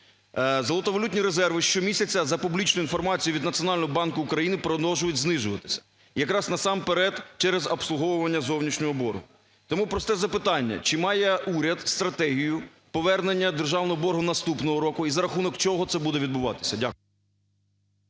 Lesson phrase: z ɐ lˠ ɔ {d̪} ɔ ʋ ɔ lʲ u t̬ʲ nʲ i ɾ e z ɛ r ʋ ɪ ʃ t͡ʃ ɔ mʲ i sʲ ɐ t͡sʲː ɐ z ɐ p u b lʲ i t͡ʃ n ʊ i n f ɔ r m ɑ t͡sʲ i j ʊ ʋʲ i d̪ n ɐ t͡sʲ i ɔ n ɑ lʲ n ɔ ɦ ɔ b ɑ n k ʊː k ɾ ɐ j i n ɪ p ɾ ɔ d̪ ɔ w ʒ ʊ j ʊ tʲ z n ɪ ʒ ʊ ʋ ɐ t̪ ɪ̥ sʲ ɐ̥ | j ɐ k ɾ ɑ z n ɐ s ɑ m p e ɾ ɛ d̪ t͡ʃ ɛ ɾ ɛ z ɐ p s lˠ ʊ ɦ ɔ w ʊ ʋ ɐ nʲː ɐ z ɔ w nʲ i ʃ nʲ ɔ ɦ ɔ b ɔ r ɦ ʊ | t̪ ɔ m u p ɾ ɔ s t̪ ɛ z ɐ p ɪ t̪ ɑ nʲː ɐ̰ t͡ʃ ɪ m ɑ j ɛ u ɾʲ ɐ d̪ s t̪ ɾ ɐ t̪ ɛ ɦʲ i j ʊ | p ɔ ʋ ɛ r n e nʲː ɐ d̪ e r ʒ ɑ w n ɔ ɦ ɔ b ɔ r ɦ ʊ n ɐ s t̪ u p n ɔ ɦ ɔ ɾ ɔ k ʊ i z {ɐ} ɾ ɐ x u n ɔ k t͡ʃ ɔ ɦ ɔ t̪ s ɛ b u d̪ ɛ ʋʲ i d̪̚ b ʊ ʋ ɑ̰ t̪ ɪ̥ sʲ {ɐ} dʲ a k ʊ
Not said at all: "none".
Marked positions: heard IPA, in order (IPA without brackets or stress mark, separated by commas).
t̪, ɐ, ɐ